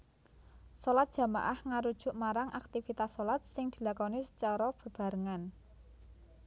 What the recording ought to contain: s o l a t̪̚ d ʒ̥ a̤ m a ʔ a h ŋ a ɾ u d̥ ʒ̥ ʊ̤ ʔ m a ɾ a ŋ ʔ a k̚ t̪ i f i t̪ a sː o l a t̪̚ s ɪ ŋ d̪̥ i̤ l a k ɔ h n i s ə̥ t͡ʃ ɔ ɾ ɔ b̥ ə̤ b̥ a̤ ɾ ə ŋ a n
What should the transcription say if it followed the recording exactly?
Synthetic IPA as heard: s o l a t̪̚ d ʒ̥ a̤ m a ʔ a h ŋ a ɾ u d̥ ʒ̥ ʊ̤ ʔ m a ɾ a ŋ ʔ a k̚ t̪ i f i t̪ a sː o l a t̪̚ s ɪ ŋ d̪̥ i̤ l a k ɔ n i s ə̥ t͡ʃ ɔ ɾ ɔ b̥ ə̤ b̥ a̤ ɾ ə ŋ a n